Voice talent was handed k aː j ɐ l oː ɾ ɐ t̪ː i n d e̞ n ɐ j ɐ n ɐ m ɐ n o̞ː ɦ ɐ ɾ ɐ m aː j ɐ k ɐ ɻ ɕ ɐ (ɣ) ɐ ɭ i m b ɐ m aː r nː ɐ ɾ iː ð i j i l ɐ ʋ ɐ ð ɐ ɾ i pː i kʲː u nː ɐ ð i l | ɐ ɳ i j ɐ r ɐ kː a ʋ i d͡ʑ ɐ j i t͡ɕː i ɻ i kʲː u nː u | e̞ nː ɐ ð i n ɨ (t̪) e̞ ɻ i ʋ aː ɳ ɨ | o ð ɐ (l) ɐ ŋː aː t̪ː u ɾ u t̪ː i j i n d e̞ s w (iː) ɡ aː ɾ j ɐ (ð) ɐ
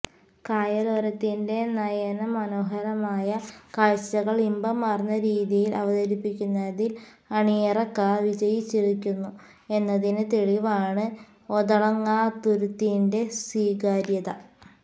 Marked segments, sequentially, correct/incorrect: correct, correct, incorrect: ɭ, correct, correct

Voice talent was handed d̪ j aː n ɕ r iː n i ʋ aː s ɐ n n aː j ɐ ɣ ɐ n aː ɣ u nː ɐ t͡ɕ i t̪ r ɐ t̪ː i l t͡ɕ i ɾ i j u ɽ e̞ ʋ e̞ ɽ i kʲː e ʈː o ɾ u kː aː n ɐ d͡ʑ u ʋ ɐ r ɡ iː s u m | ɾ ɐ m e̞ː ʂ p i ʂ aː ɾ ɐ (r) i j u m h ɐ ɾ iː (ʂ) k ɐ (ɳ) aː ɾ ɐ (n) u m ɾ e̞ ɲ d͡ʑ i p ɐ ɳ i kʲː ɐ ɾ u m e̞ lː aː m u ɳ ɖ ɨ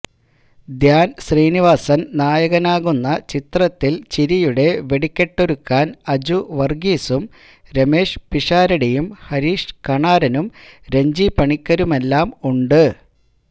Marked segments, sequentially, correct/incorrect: incorrect: ɽ, correct, correct, correct

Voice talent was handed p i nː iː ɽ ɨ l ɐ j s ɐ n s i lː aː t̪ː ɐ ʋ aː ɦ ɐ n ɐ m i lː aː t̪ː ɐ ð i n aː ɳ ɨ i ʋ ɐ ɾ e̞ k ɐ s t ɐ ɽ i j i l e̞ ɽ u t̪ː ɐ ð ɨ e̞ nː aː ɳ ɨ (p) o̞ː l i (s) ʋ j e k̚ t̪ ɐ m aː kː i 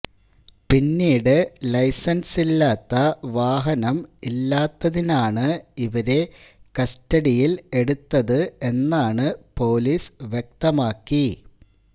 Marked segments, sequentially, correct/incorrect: correct, correct

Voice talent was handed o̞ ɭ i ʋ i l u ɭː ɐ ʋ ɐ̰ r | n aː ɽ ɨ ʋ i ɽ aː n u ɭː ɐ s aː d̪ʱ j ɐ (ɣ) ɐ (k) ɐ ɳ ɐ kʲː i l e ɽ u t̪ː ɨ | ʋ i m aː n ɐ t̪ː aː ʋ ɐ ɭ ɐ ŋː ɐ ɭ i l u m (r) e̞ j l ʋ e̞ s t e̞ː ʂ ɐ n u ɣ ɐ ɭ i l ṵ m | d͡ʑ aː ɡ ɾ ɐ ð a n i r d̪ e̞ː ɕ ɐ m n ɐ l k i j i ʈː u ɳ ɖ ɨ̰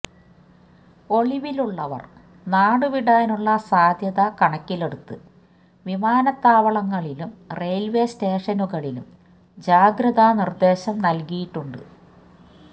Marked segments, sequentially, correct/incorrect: incorrect: ð, correct, correct

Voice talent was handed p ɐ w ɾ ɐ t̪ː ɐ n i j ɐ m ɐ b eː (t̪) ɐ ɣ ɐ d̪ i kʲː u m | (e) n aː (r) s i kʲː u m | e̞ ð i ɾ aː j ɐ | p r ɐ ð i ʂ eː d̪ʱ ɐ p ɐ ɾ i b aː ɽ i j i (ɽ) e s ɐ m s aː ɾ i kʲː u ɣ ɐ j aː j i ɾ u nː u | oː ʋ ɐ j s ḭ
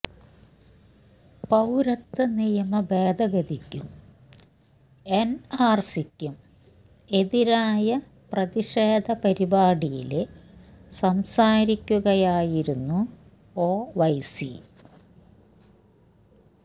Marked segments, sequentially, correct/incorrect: incorrect: d̪, correct, correct, incorrect: l

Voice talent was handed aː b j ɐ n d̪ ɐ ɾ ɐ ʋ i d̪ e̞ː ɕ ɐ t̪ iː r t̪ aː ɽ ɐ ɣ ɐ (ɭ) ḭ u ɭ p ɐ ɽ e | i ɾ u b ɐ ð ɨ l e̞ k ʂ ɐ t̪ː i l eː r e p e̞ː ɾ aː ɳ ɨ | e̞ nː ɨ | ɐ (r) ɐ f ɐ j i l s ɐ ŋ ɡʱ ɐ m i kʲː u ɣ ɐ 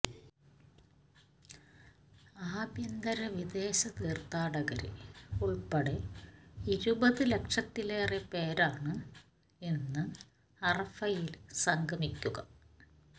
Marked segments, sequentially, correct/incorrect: incorrect: ɾ, correct

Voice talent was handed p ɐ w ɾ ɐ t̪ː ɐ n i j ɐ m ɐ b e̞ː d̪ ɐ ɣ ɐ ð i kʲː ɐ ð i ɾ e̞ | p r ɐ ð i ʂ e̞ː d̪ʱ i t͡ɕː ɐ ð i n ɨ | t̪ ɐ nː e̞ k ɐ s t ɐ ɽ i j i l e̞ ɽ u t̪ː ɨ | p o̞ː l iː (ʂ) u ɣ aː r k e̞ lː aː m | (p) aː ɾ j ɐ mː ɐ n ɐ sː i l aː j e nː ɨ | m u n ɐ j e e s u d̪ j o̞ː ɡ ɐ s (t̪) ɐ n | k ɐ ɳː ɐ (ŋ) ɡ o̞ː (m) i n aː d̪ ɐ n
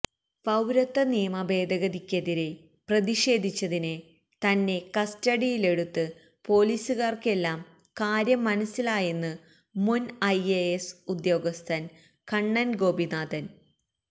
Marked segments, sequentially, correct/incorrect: incorrect: s, incorrect: k, incorrect: t̪ʰ, incorrect: n, incorrect: b

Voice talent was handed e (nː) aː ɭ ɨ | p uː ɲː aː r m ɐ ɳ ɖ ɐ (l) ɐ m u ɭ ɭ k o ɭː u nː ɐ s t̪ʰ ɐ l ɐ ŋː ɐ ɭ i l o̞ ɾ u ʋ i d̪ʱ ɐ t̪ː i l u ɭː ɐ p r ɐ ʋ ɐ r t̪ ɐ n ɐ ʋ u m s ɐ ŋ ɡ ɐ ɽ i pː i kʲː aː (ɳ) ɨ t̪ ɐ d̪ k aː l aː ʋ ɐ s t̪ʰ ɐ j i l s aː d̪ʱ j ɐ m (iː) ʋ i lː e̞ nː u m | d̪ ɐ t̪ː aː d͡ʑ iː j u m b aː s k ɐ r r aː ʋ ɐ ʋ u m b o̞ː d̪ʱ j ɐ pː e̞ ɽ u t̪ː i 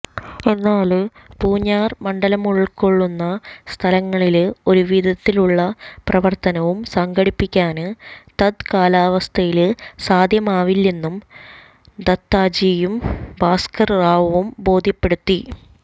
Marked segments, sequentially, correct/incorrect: correct, correct, incorrect: n, incorrect: aː

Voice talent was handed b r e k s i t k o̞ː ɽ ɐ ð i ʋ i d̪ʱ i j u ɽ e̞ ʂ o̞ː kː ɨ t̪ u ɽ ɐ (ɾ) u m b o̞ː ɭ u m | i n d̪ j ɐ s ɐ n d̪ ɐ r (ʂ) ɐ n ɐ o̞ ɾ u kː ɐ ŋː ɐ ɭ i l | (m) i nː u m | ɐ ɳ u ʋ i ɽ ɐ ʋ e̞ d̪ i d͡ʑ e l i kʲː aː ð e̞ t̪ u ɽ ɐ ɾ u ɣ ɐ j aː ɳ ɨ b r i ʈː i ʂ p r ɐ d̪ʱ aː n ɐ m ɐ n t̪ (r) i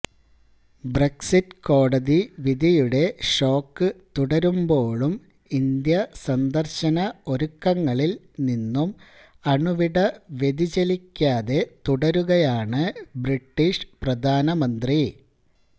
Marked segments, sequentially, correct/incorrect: correct, incorrect: ɕ, incorrect: n, correct

